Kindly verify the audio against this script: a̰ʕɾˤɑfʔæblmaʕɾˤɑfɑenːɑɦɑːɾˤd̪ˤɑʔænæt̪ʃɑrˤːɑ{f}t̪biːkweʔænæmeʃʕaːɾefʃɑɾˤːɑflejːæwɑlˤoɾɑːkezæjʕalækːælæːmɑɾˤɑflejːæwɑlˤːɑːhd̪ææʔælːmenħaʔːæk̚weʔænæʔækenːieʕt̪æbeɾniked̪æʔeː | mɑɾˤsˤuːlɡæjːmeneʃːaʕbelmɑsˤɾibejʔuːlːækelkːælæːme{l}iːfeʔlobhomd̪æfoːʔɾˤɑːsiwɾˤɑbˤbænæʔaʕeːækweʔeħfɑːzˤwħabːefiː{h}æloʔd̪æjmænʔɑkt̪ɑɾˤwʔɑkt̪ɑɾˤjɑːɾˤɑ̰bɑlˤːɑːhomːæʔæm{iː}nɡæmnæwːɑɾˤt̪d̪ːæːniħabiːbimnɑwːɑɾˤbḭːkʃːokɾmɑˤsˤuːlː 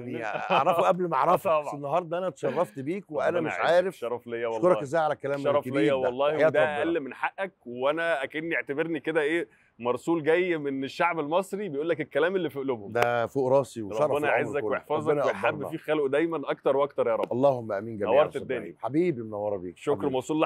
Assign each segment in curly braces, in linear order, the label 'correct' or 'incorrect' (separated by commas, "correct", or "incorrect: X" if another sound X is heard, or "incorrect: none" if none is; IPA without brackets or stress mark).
correct, incorrect: lː, incorrect: x, correct